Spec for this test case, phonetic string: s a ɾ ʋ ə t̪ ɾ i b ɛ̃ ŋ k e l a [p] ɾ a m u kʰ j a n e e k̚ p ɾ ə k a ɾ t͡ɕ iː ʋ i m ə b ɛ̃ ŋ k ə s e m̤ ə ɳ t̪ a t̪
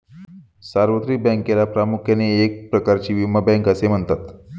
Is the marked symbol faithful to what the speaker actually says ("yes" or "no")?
yes